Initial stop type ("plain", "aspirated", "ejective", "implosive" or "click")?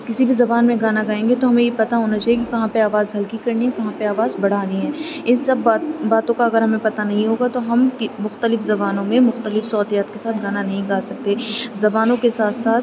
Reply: plain